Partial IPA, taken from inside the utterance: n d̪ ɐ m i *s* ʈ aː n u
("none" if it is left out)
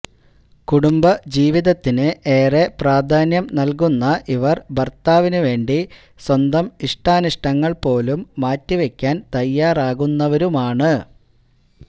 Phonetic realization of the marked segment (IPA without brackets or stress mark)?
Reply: ʂ